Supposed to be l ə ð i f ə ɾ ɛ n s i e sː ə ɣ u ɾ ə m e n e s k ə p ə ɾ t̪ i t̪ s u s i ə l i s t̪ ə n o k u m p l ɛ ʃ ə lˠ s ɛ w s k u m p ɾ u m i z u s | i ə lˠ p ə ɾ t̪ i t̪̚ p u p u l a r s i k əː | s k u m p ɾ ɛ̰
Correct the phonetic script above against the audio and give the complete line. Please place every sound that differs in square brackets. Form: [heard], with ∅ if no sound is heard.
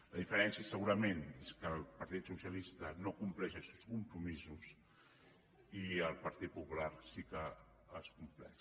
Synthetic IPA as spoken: l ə ð i f ə ɾ ɛ n s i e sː ə ɣ u ɾ ə m e n e s k ə p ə ɾ t̪ i t̪ s u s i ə l i s t̪ ə n o k u m p l ɛ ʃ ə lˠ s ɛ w s k u m p ɾ u m i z u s | i ə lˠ p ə ɾ t̪ i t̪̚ p u p u l a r s i k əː | s k u m p [l] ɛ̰